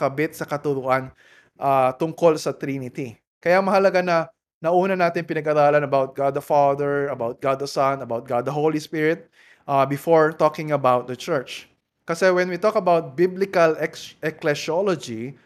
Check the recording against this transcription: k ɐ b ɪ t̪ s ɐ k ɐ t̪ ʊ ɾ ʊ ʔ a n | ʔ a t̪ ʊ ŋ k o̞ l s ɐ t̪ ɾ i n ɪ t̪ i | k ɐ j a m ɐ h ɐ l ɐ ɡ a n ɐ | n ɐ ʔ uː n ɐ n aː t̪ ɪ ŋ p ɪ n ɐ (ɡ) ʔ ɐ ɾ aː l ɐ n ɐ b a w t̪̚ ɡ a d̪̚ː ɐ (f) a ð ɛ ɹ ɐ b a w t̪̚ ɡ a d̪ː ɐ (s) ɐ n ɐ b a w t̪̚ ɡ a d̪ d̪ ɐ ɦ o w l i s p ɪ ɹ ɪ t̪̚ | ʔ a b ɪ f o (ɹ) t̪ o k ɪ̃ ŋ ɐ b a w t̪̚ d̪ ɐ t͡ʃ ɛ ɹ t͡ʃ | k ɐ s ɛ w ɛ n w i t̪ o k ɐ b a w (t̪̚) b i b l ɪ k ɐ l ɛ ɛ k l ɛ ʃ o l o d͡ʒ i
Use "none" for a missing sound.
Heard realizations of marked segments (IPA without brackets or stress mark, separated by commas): ɡ, f, s, ɹ, t̪̚